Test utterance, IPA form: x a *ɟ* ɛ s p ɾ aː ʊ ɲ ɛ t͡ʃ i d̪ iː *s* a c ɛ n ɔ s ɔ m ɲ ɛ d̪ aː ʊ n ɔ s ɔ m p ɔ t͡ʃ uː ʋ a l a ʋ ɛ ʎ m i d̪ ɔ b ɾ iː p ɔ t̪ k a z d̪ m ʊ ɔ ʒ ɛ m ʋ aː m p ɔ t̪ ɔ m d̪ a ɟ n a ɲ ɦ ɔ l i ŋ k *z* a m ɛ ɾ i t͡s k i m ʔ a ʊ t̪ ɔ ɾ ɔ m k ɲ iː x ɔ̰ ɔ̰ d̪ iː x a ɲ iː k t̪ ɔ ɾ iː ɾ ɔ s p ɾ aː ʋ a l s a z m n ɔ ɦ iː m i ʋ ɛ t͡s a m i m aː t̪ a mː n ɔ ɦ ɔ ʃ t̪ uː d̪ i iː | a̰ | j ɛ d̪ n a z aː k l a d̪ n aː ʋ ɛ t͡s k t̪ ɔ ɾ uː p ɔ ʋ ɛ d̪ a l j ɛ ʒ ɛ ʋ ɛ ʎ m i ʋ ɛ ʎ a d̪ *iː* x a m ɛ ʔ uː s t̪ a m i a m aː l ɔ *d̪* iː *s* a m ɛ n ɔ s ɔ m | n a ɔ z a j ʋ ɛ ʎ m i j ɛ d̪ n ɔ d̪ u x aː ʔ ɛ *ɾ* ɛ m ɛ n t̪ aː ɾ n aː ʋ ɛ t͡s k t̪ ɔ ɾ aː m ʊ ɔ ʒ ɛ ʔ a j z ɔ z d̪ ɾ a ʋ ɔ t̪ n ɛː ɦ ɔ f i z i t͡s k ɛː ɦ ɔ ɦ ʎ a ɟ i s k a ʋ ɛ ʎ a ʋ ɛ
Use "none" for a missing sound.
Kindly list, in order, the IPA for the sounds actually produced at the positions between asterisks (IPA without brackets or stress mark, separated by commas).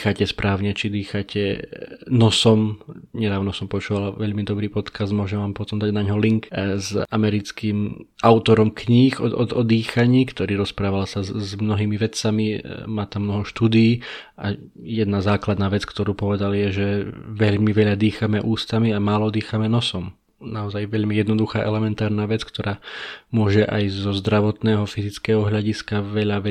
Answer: c, x, z, iː, d̪, x, l